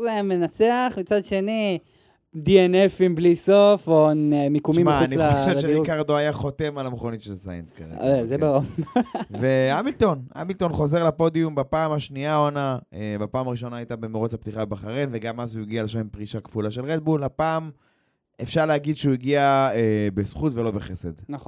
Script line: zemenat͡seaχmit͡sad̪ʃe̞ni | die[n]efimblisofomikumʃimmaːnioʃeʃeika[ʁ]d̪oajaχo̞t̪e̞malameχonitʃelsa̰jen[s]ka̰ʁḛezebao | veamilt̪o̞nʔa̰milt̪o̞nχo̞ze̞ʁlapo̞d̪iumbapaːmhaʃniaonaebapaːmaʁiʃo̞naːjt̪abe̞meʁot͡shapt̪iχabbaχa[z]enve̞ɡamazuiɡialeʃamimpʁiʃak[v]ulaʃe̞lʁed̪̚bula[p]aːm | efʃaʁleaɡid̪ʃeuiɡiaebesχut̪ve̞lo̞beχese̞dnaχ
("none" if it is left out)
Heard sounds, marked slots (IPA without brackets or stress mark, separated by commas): n, ʁ, s, ʁ, f, p